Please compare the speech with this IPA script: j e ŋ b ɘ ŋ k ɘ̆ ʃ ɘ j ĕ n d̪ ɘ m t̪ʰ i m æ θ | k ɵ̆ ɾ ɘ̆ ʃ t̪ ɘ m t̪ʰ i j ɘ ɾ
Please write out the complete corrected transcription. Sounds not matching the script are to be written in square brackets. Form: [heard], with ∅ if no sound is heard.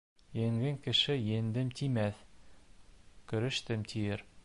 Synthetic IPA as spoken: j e ŋ [ɡ] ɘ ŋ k ɘ̆ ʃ ɘ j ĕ n d̪ ɘ m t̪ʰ i m æ θ | k ɵ̆ ɾ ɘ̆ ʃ t̪ ɘ m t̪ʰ i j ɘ ɾ